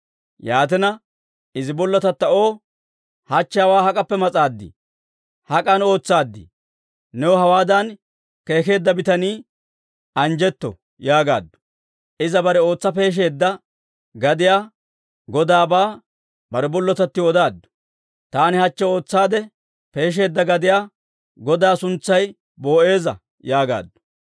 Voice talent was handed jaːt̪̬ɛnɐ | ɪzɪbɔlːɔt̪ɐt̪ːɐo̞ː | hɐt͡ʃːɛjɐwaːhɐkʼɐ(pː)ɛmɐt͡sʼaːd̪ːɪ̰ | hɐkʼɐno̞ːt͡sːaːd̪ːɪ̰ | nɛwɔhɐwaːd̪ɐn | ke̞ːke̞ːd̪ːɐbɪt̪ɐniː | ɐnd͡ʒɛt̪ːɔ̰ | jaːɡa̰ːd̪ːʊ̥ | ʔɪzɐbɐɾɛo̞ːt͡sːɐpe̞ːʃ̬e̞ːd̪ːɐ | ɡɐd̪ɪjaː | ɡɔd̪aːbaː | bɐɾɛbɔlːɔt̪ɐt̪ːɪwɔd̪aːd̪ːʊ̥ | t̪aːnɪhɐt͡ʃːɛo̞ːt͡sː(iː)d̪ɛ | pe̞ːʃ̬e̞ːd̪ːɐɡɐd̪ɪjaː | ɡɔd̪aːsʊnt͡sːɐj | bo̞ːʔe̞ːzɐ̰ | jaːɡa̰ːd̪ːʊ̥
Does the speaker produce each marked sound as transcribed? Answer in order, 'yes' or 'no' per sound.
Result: yes, no

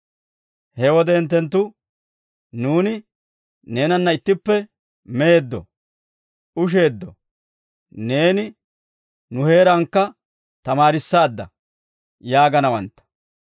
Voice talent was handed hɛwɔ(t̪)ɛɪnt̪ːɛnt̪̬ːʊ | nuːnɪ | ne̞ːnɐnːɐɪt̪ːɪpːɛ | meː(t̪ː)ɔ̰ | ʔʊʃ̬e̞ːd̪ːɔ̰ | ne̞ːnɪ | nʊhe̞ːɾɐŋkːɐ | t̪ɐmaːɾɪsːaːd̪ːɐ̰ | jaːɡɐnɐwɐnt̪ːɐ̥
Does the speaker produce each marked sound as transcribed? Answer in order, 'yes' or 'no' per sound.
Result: no, no

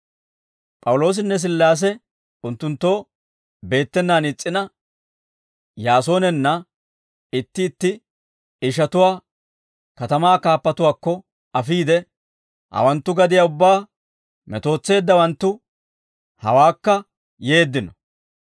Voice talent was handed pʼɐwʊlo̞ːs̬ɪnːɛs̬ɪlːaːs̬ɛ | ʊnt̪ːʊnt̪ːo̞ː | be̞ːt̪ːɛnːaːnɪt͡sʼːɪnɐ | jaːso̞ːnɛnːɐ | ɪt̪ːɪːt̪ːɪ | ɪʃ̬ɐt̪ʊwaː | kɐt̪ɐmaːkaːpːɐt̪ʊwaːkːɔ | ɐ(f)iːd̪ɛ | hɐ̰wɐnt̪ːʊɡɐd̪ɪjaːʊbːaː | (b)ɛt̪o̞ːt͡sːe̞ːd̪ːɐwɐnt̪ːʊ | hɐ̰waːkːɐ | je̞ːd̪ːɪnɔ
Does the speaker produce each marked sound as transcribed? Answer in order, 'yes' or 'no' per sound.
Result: yes, no

